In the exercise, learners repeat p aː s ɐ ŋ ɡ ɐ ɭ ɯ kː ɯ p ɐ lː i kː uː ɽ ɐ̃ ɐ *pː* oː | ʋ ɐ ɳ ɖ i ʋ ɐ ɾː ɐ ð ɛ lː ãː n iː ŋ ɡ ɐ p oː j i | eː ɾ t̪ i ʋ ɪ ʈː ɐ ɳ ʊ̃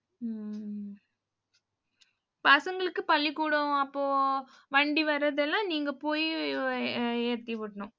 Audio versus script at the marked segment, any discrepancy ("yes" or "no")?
no